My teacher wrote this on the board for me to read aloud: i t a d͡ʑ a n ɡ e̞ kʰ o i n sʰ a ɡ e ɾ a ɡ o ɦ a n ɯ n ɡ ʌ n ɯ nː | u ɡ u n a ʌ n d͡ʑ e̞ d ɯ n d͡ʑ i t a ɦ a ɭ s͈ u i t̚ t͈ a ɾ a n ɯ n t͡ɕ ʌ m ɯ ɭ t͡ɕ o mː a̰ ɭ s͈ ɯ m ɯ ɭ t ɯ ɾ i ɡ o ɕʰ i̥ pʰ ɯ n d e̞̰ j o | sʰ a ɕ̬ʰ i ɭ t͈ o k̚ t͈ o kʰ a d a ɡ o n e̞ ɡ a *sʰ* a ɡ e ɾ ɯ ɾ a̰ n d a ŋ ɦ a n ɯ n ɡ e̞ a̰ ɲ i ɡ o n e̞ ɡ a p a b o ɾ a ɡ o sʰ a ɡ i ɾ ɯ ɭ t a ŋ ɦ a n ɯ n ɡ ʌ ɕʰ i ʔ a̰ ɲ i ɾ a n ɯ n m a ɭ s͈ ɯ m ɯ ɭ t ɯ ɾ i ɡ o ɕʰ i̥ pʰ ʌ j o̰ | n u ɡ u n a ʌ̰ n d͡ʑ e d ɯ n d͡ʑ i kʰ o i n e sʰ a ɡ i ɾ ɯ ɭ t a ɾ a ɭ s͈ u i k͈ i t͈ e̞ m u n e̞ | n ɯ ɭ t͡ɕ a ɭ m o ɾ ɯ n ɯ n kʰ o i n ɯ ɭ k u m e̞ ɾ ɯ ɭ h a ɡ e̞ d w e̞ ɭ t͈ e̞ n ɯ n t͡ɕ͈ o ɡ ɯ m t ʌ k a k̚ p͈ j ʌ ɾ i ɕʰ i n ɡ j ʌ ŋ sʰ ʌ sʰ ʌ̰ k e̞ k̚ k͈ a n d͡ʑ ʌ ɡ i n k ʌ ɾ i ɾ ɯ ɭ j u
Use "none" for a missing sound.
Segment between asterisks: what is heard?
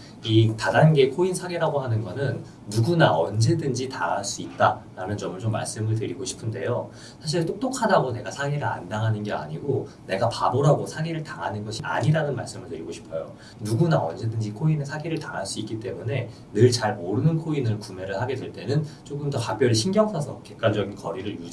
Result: sʰ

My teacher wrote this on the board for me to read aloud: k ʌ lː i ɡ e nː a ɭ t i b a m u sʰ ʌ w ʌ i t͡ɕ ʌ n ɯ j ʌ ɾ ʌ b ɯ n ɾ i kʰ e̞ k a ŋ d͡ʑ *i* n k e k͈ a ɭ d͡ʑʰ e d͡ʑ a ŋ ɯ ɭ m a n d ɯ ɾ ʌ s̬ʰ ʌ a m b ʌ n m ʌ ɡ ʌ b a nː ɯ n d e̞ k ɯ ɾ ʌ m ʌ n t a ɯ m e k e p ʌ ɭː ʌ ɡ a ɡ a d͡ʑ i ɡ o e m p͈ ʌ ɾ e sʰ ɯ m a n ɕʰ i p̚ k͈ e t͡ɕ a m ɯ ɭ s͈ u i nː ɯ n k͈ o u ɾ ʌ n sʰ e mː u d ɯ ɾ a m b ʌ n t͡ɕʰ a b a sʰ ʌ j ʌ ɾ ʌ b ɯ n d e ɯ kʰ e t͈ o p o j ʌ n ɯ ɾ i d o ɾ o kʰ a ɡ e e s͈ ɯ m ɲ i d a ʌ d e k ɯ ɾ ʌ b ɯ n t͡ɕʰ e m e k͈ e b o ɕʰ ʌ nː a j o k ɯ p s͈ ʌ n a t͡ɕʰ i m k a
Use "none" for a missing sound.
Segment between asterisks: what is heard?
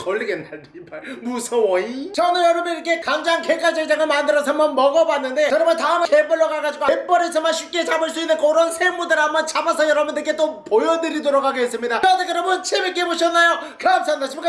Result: a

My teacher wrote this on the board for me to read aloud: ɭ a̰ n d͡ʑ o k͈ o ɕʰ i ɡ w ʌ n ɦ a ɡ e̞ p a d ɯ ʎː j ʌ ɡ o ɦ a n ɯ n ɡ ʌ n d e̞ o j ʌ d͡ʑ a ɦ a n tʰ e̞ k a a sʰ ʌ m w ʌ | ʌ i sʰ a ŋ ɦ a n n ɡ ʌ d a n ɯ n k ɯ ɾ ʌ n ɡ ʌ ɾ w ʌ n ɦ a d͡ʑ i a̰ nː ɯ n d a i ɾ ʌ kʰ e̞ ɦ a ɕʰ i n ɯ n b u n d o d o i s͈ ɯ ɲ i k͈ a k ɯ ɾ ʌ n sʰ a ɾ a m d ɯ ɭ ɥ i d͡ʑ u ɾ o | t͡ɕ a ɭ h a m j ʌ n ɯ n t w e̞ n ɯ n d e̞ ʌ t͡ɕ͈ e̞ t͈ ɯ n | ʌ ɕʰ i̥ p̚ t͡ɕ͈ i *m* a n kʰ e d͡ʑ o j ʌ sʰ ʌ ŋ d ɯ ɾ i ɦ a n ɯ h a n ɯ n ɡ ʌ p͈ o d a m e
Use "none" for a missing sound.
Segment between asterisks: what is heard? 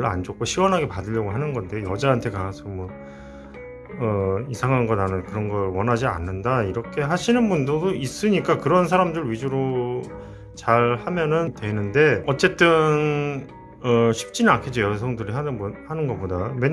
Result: n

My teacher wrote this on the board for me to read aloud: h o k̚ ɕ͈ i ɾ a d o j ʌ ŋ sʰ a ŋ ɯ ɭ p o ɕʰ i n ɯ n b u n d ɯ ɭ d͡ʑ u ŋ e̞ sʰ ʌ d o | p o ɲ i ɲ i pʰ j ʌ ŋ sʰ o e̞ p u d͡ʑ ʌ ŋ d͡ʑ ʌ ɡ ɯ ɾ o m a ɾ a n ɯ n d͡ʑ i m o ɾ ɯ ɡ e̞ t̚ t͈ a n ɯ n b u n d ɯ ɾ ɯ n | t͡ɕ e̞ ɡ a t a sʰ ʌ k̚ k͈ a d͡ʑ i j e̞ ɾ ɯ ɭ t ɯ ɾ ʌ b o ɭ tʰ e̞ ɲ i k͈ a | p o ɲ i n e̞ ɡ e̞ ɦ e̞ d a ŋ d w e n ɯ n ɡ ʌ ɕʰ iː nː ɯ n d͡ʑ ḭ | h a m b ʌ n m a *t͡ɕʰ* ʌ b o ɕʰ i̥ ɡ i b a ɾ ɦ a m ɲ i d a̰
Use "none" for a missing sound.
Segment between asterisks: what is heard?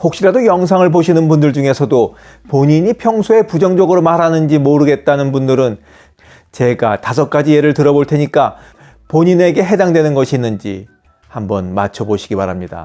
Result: t͡ɕʰ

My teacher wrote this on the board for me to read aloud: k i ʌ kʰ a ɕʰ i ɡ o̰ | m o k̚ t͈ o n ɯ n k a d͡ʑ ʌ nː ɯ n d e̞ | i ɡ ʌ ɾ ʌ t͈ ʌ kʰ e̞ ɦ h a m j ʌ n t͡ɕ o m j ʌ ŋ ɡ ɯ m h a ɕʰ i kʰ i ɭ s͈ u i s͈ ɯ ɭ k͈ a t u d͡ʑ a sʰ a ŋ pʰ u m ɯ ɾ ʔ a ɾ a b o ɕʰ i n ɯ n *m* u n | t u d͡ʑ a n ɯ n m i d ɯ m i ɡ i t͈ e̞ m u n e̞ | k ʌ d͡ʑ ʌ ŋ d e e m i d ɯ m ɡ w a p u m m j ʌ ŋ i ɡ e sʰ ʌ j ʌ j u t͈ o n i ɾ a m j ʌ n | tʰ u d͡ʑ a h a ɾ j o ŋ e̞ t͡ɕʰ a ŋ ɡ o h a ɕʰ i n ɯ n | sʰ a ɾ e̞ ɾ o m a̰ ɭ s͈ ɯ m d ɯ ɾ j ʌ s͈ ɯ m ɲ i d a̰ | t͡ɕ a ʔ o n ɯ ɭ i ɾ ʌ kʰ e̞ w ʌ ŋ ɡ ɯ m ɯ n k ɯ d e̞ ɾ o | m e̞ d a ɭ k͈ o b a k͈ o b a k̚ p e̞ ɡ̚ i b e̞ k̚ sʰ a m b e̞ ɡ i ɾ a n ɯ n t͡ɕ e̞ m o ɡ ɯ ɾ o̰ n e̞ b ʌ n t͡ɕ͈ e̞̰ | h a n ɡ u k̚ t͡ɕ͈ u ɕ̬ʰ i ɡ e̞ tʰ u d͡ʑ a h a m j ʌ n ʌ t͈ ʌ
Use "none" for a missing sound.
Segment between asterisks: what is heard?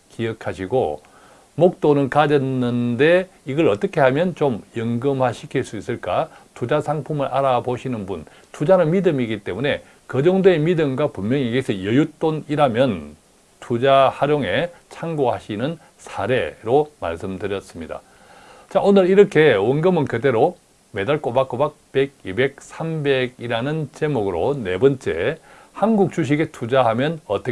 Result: b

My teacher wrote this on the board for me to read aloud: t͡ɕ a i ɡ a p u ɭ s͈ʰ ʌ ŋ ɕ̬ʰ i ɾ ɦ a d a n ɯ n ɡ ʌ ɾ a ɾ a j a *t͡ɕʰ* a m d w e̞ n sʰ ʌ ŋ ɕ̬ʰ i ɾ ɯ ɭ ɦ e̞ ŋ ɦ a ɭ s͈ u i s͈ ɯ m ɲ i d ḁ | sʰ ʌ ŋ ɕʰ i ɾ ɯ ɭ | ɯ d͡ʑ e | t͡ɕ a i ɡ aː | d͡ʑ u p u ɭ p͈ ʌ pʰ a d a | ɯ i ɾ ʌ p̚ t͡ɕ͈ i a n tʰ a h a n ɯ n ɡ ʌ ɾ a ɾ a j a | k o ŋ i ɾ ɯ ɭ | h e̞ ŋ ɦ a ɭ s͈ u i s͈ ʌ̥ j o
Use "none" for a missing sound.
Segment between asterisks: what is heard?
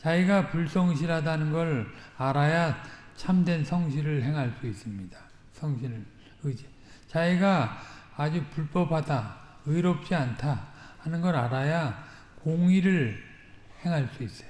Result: t͡ɕʰ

